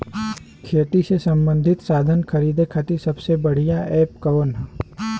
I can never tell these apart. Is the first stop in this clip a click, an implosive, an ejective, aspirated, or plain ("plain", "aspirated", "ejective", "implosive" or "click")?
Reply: aspirated